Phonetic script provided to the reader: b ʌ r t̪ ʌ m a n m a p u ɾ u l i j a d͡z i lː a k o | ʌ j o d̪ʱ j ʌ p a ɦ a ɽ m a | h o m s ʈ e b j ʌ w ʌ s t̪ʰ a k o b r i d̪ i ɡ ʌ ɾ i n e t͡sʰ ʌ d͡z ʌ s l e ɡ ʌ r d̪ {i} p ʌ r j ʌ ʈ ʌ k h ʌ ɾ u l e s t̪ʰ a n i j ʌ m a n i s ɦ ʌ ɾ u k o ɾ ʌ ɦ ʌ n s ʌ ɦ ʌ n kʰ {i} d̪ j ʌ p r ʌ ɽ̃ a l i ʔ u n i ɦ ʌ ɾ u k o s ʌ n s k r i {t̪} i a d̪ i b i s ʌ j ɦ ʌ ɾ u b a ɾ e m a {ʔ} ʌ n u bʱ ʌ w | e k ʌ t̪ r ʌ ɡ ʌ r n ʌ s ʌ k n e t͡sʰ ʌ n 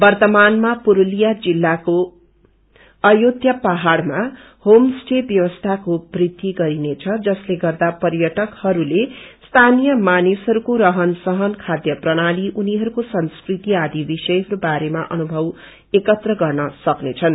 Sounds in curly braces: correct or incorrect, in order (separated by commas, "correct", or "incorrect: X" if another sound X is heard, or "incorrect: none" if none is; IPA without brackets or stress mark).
incorrect: a, incorrect: a, correct, correct